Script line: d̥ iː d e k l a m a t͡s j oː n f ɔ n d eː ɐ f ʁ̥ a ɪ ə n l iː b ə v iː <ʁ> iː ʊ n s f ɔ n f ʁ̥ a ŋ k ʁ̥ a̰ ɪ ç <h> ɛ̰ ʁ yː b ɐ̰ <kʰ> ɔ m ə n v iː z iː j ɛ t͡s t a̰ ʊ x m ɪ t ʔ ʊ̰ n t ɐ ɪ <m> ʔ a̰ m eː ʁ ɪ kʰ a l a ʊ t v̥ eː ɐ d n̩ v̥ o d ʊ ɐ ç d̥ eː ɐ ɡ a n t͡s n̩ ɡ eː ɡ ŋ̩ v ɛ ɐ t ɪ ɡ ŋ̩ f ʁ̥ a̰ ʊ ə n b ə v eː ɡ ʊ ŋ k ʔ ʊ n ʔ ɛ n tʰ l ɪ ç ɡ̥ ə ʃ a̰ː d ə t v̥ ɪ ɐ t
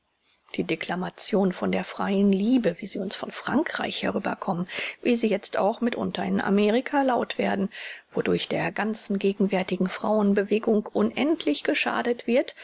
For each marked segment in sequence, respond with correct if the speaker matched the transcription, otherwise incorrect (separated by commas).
incorrect, correct, correct, incorrect